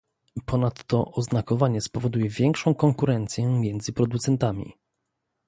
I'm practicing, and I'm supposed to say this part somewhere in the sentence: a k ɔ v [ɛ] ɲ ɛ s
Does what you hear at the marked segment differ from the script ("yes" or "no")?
yes